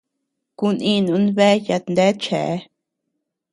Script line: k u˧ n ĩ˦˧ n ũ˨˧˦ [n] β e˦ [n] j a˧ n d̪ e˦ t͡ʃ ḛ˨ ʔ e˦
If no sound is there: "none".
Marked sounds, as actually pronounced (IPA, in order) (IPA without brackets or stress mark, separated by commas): n, none